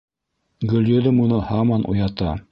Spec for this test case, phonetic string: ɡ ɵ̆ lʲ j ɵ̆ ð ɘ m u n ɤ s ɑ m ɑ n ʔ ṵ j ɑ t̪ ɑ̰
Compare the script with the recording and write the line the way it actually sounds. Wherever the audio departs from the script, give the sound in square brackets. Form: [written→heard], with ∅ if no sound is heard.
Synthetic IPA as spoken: ɡ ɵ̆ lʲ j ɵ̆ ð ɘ m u n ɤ [s→h] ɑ m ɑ n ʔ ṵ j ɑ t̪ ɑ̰

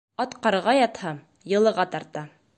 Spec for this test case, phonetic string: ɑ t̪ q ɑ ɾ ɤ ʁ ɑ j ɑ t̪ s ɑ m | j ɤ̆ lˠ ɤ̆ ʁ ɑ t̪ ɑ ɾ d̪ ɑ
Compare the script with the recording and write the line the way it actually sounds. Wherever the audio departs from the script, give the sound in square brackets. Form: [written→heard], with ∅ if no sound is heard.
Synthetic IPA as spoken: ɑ t̪ q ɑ ɾ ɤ ʁ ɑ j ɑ t̪ [s→h] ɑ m | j ɤ̆ lˠ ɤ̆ ʁ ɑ t̪ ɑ ɾ [d̪→t̪] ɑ

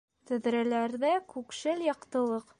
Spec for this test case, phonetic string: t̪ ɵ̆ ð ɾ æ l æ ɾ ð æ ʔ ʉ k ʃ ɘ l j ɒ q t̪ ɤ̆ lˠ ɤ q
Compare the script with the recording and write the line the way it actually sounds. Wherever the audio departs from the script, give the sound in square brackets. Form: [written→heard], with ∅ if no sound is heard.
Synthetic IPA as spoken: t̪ ɵ̆ ð ɾ æ l æ ɾ ð æ [ʔ→k] ʉ k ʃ ɘ l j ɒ q t̪ ɤ̆ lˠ ɤ q

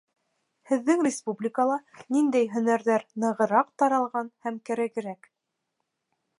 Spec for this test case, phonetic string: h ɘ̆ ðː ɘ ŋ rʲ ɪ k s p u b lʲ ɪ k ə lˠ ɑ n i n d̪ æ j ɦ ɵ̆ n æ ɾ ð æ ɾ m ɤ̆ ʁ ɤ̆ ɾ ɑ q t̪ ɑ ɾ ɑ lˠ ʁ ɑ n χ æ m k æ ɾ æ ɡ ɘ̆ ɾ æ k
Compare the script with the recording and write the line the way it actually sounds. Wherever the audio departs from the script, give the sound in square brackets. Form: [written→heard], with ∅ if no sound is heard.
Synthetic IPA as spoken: h ɘ̆ ðː ɘ ŋ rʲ ɪ [k→∅] s p u b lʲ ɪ k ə lˠ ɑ n i n d̪ æ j ɦ ɵ̆ n æ ɾ ð æ ɾ [m→n] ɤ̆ ʁ ɤ̆ ɾ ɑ q t̪ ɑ ɾ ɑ lˠ ʁ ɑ n [χ→h] æ m k æ ɾ æ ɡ ɘ̆ ɾ æ k

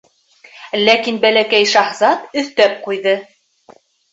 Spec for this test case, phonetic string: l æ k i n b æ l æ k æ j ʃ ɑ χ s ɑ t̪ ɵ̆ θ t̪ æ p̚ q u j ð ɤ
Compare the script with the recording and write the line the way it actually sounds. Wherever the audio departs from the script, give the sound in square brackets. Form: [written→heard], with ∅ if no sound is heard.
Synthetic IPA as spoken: l æ k i n b æ l æ k æ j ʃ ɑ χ [s→z] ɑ t̪ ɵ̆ θ t̪ æ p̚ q u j ð ɤ

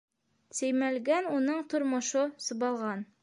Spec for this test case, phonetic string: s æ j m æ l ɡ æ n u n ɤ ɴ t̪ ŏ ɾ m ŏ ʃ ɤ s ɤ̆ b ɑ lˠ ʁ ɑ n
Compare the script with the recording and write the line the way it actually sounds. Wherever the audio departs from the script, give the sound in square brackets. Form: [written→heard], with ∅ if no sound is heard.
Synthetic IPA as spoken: s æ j m æ l ɡ æ n u n ɤ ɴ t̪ ŏ ɾ m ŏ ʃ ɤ s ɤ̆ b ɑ lˠ ʁ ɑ n

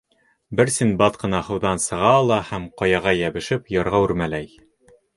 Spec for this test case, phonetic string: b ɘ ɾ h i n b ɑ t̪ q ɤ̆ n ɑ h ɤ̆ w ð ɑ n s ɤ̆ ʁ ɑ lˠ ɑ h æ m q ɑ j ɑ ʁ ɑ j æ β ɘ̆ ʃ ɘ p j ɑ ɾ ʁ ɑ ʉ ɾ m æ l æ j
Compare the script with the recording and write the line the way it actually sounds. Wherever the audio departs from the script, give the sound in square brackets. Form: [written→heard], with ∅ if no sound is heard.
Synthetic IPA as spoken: b ɘ ɾ [h→s] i n b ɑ t̪ q ɤ̆ n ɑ h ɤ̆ w ð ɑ n s ɤ̆ ʁ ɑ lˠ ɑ h æ m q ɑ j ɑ ʁ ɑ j æ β ɘ̆ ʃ ɘ p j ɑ ɾ ʁ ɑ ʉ ɾ m æ l æ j

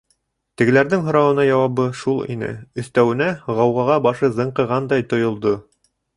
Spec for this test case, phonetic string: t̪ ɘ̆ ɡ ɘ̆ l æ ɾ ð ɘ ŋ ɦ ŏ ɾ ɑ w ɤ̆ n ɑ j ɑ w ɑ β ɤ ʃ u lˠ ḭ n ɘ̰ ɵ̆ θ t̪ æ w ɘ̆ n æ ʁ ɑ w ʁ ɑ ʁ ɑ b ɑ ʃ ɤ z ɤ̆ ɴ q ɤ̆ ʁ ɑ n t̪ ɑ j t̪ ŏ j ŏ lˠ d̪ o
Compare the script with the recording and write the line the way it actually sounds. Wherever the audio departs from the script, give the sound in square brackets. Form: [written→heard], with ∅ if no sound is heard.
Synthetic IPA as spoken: t̪ ɘ̆ ɡ ɘ̆ l æ ɾ ð ɘ ŋ ɦ ŏ ɾ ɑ w ɤ̆ n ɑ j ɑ w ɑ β ɤ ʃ u lˠ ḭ n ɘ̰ ɵ̆ θ t̪ æ w ɘ̆ n æ ʁ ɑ w ʁ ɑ ʁ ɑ b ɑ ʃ ɤ z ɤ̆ ɴ q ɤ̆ ʁ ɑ n [t̪→d̪] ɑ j t̪ ŏ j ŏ lˠ d̪ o

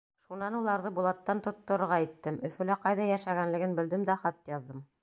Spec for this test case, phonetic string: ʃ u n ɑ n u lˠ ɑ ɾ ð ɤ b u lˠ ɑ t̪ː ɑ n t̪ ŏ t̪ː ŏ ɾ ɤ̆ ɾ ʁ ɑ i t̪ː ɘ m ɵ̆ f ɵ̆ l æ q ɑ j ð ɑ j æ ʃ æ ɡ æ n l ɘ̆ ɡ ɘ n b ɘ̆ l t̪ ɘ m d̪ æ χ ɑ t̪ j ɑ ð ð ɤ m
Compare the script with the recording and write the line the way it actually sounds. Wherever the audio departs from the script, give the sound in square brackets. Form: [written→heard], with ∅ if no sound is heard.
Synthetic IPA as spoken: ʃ u n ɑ n u lˠ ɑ ɾ ð ɤ b u lˠ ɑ t̪ː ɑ n t̪ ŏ t̪ː ŏ ɾ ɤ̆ ɾ ʁ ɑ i t̪ː ɘ m ɵ̆ f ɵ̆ l æ q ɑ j ð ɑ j æ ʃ æ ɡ æ n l ɘ̆ ɡ ɘ n b ɘ̆ l [t̪→d̪] ɘ m d̪ æ χ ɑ t̪ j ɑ ð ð ɤ m

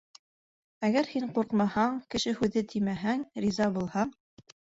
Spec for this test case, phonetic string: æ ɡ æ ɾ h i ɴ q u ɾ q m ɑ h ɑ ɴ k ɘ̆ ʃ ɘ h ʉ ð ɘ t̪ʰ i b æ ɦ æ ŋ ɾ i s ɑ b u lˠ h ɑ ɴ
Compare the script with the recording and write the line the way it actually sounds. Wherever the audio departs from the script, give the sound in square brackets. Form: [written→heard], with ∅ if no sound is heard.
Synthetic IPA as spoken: æ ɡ æ ɾ h i ɴ q u ɾ q m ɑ h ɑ ɴ k ɘ̆ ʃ ɘ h ʉ ð ɘ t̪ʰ i [b→m] æ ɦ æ ŋ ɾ i [s→z] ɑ b u lˠ h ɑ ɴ

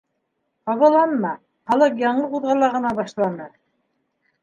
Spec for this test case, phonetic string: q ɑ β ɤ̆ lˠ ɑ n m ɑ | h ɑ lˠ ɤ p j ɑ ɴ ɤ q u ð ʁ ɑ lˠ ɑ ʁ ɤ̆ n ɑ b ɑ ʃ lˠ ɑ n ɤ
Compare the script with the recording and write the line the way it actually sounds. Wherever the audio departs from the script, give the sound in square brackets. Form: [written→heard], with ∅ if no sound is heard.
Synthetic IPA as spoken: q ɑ β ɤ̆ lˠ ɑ n m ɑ | [h→χ] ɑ lˠ ɤ [p→q] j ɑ ɴ ɤ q u ð ʁ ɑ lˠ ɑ ʁ ɤ̆ n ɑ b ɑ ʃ lˠ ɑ n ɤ

